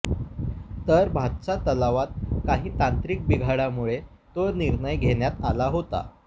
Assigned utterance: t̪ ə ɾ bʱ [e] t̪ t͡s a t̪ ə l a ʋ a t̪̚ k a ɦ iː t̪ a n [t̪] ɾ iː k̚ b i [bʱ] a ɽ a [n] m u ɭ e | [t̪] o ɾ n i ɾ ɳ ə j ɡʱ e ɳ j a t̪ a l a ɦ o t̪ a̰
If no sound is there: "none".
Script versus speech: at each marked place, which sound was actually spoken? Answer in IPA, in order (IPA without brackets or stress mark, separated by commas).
a, t̪, ɡʱ, none, t̪